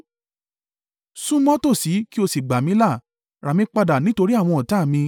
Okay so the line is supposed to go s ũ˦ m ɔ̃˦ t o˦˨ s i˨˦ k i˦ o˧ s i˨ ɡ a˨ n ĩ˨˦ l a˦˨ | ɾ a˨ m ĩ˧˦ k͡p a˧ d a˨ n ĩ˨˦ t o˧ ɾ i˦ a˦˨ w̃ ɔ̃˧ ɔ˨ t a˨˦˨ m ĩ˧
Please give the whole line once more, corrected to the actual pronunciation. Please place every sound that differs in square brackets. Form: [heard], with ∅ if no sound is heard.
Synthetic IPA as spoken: s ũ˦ m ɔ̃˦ t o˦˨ s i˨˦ k i˦ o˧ s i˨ [ɡ͡b] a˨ [m] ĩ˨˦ l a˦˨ | ɾ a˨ m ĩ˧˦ k͡p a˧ d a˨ n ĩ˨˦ t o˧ ɾ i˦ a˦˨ w̃ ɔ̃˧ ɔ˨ t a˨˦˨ m ĩ˧